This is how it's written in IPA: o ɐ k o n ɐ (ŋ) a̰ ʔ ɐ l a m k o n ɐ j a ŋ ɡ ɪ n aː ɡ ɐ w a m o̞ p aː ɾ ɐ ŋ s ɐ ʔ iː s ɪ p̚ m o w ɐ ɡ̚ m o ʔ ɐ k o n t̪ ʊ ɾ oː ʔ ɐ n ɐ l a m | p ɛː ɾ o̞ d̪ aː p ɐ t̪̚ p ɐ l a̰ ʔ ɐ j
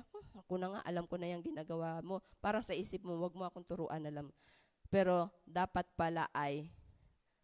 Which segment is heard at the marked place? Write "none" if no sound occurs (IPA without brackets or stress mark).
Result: ŋ